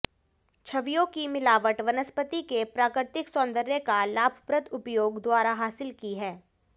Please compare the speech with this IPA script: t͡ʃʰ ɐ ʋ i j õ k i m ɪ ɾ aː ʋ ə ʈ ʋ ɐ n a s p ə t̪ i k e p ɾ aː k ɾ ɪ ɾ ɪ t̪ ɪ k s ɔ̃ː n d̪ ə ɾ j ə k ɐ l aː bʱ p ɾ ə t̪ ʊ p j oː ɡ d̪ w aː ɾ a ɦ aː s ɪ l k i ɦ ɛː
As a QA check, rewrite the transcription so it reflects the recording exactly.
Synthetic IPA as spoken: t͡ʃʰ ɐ ʋ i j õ k i m ɪ l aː ʋ ə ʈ ʋ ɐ n ə s p ə t̪ i k e p ɾ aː k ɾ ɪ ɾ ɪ t̪ ɪ k s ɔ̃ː n d̪ ə ɾ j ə k a l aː bʱ p ɾ ə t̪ ʊ p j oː ɡ d̪ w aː ɾ a ɦ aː s ɪ l k i ɦ ɛː